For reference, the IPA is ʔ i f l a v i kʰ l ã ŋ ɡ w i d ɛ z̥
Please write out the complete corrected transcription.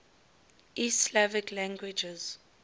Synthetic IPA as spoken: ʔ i s l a v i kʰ l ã ŋ ɡ w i d͡ʒ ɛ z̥